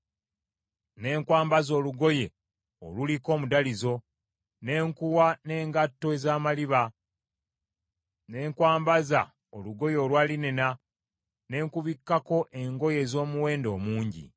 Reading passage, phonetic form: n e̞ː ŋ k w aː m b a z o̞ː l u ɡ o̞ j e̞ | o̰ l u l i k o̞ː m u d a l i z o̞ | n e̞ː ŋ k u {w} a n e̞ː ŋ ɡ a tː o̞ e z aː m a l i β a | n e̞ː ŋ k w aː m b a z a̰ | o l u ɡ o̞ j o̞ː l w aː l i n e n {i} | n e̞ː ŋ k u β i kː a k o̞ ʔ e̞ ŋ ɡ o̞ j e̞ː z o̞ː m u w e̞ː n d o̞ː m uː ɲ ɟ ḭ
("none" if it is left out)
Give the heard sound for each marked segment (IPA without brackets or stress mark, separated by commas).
w, a